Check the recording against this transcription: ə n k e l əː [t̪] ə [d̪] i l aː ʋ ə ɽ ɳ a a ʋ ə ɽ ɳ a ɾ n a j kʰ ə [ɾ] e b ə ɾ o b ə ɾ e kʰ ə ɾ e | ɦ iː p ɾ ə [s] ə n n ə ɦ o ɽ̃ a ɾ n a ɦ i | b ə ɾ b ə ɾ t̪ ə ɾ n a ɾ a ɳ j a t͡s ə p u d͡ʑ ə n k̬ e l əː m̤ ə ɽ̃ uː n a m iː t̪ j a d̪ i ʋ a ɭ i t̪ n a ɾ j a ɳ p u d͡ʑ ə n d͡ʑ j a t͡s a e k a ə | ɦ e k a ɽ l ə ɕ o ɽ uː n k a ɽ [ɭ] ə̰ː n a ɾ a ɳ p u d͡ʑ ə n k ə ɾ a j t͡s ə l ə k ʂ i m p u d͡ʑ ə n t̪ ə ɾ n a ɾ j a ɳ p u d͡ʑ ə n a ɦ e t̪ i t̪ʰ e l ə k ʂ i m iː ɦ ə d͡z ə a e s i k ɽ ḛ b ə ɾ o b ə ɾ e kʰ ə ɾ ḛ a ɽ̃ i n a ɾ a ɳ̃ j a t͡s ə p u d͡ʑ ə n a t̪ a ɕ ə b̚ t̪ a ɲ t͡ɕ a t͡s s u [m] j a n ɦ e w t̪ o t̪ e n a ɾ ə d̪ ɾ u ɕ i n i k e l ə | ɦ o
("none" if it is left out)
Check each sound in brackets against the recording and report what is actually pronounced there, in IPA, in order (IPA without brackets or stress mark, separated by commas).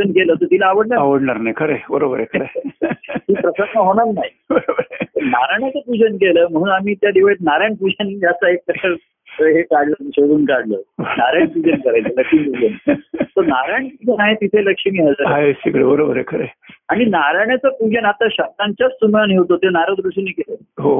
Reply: t̪, t̪, ɾ, s, l, m